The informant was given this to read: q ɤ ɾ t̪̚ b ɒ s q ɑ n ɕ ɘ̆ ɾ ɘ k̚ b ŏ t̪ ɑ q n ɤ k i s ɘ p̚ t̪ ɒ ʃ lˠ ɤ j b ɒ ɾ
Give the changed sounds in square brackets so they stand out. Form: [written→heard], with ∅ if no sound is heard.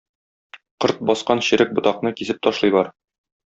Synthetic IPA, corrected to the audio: q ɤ ɾ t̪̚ b ɒ s q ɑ n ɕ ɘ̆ ɾ ɘ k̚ b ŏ t̪ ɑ q n ɤ k i s ɘ p̚ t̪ ɒ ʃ lˠ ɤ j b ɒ ɾ